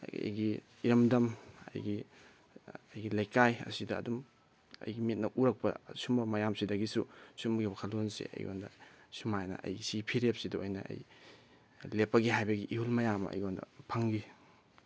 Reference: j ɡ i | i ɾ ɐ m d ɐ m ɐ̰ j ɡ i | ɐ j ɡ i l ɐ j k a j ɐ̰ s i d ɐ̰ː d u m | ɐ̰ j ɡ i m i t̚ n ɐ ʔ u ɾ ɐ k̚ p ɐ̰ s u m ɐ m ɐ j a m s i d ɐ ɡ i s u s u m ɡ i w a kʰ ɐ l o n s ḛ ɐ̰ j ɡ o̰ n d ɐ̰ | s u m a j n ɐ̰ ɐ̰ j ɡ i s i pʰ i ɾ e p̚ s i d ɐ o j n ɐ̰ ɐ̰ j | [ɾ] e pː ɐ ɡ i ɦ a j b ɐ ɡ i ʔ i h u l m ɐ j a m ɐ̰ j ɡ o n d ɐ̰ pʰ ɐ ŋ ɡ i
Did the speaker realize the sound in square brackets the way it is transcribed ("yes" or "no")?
no